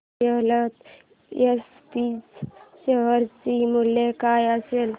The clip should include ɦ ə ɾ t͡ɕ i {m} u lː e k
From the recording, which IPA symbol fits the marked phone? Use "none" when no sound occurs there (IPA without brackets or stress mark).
m